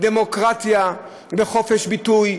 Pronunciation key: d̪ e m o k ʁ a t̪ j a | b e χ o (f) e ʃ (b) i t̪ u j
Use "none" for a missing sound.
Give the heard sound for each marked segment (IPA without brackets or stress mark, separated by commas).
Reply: f, b